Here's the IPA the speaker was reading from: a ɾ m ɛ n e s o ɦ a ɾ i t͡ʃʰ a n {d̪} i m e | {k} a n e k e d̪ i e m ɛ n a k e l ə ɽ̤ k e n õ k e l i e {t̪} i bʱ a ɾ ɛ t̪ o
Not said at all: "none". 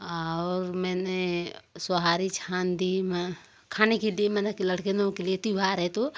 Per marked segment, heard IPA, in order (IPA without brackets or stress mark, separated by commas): d̪, kʰ, t̪